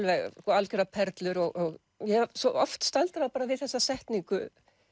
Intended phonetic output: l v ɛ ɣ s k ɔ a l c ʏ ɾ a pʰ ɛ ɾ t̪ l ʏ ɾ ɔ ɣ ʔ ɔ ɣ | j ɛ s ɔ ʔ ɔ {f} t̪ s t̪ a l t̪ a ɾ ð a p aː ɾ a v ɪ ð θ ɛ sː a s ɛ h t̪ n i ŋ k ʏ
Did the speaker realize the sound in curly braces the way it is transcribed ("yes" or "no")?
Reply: yes